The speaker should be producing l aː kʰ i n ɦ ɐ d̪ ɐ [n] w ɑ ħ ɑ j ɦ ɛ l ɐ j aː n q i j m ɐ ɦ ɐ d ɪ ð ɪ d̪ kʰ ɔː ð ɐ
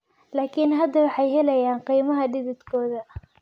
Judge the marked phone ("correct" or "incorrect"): incorrect